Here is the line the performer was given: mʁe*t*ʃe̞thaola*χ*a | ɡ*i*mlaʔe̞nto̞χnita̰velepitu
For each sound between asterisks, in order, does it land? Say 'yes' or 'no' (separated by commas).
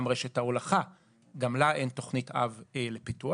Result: no, yes, no